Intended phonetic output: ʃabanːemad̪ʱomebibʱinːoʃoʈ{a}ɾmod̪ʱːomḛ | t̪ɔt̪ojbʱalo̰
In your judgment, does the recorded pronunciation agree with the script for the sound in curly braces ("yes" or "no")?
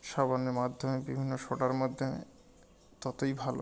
yes